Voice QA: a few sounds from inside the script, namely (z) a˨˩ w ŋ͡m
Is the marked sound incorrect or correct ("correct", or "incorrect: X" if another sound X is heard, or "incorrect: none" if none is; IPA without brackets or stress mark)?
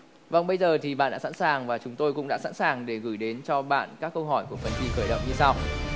incorrect: v